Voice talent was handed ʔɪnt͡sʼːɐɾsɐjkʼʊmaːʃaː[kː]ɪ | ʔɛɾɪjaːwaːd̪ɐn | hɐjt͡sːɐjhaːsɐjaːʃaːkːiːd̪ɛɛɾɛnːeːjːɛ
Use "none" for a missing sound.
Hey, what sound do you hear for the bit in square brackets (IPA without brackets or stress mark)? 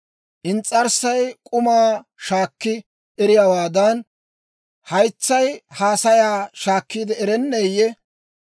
kː